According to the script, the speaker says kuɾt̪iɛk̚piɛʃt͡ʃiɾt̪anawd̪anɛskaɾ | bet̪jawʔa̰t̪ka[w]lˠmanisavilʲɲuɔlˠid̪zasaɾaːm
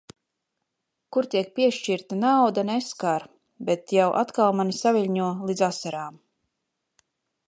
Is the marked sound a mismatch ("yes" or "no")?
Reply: yes